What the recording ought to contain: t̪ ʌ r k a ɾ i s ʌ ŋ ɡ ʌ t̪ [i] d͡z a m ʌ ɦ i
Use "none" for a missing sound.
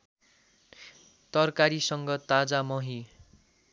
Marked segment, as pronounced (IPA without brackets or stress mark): a